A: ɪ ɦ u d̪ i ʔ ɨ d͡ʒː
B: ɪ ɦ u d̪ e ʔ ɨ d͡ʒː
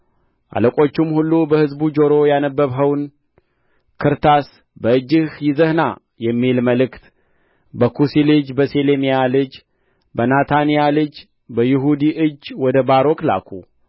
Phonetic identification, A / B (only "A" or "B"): A